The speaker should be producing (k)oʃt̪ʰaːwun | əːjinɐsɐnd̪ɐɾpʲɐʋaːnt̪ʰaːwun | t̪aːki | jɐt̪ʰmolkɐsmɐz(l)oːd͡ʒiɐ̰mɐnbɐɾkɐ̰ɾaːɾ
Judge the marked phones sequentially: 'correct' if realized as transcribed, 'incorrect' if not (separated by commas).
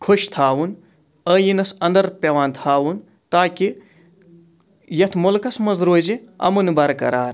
incorrect, incorrect